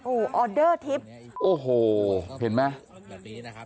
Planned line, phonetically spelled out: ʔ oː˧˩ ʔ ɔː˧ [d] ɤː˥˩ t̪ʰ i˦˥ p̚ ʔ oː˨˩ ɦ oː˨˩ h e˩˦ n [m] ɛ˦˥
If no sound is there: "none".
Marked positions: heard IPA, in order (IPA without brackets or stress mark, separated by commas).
d, m